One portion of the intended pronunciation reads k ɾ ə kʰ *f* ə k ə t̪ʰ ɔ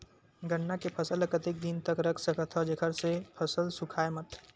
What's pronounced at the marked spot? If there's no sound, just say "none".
s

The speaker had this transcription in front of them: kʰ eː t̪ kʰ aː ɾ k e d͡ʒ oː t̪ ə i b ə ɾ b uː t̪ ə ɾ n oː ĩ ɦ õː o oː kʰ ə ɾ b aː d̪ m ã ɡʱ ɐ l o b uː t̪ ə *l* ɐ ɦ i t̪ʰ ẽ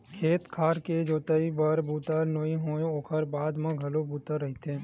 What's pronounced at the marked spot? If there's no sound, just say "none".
ɾ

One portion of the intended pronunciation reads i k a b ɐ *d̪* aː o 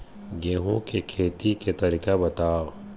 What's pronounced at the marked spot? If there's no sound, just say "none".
t̪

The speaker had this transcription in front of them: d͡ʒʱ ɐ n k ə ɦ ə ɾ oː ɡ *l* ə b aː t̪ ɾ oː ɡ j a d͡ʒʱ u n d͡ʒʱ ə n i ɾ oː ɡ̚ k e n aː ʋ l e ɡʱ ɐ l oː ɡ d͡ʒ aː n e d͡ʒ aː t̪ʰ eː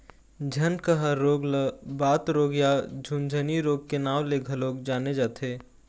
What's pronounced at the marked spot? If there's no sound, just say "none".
l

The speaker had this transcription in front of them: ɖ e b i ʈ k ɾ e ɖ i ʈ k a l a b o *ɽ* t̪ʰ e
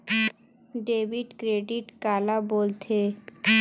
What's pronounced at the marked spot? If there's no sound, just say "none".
l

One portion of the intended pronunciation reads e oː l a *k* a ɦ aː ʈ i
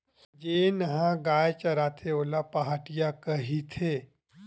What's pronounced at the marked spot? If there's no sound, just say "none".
p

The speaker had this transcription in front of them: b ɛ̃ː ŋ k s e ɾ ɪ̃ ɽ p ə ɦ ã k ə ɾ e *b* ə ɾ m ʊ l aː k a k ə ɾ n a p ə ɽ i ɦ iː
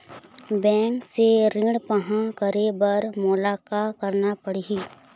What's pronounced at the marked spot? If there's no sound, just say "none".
b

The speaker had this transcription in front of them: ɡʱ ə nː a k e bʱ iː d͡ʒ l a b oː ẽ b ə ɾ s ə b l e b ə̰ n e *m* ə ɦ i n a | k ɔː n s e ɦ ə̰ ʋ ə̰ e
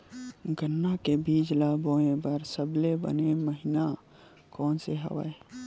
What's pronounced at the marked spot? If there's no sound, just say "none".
m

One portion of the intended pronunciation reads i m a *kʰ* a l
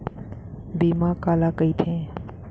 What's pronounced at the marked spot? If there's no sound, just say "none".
k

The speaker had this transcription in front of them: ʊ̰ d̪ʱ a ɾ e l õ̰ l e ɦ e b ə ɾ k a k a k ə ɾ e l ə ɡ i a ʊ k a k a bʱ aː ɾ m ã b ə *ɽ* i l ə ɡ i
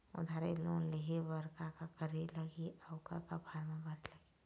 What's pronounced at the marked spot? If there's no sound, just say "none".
ɾ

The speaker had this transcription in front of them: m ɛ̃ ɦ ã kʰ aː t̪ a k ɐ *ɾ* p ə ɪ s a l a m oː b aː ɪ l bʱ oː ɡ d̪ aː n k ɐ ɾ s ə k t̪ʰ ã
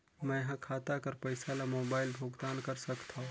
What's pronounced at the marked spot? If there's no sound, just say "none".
ɾ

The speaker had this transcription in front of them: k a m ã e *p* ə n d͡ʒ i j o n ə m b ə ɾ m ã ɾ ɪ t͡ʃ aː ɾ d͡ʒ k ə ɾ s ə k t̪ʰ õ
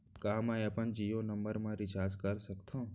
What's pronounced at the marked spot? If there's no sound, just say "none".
p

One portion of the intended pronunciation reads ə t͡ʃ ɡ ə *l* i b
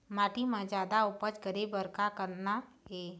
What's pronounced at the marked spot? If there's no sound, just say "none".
ɾ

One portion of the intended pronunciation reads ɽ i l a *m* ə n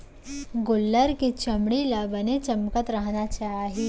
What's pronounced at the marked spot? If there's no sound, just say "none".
b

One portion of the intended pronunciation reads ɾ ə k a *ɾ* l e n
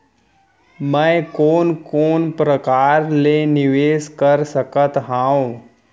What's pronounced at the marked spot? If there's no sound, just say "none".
ɾ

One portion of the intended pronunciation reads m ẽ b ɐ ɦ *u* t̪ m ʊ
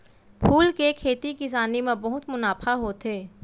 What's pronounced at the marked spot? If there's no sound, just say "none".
ʊ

